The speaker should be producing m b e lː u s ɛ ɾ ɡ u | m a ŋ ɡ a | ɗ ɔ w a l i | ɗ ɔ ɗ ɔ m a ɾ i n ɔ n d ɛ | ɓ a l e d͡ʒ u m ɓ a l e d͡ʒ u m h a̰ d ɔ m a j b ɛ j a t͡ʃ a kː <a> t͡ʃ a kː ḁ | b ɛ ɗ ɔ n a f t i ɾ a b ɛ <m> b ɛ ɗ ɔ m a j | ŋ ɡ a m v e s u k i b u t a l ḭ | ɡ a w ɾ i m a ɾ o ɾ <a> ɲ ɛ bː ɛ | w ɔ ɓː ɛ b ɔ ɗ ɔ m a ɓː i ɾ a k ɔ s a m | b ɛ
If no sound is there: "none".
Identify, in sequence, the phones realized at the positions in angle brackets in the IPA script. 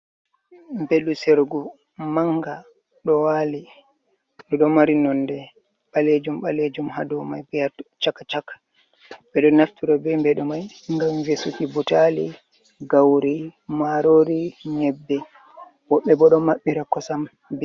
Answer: a, m, i

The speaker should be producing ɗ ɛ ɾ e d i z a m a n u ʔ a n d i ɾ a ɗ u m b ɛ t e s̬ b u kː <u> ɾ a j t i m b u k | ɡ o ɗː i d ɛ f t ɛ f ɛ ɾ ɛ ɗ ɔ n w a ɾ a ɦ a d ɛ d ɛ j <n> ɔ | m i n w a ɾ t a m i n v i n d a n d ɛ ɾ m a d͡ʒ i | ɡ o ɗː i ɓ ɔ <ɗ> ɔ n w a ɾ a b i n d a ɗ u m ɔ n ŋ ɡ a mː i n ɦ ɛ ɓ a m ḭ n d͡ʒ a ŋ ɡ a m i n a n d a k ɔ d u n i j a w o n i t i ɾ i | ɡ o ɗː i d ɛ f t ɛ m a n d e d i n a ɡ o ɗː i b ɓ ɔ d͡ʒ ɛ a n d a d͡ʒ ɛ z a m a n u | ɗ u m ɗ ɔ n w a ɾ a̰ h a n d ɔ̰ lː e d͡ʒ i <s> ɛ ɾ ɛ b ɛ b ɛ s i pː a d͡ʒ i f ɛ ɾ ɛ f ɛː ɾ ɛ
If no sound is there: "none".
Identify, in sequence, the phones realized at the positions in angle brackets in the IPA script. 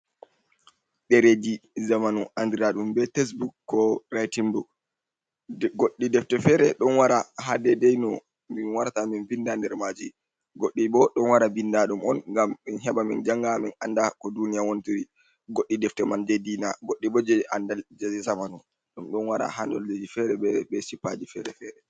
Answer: ɔ, n, ɗ, f

